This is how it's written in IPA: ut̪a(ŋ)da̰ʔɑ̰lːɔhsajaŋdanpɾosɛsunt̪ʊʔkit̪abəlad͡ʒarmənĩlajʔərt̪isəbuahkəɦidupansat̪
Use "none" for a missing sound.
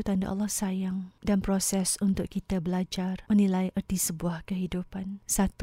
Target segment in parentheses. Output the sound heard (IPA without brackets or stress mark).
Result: n